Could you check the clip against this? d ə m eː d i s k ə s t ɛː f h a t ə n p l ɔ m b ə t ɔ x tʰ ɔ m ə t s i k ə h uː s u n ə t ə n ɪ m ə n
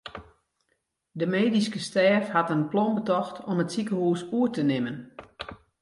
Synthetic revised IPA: d ə m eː d i s k ə s t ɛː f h a t ə n p l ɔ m b ə t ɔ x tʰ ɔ m ə t s i k ə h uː s u ə t ə n ɪ m ə n